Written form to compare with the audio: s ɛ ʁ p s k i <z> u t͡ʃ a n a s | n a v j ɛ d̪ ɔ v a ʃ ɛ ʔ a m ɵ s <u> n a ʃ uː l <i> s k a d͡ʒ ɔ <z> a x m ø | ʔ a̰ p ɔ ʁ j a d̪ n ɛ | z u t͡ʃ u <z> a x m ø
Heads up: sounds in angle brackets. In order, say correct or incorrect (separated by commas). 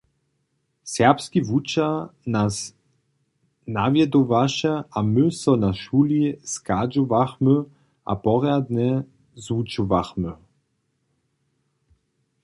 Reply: incorrect, incorrect, correct, incorrect, incorrect